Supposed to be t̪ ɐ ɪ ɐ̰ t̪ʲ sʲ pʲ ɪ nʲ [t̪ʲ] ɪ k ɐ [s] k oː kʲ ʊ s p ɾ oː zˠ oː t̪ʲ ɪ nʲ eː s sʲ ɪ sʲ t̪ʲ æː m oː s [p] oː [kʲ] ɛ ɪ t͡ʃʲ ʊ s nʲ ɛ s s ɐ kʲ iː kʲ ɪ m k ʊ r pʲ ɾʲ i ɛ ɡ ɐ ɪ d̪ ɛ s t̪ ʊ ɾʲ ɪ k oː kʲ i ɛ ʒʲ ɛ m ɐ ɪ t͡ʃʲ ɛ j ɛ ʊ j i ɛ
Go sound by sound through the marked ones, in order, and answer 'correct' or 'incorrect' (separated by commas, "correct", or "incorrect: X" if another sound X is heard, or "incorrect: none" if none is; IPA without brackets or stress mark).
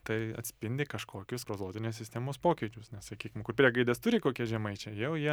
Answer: incorrect: d̪ʲ, incorrect: ʃ, correct, correct